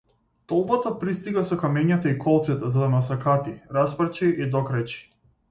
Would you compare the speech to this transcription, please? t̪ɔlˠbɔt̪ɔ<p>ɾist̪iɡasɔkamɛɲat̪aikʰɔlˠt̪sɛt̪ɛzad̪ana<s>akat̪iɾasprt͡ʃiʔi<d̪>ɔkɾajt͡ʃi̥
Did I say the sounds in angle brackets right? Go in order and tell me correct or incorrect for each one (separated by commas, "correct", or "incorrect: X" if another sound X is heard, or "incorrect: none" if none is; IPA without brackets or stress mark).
correct, correct, correct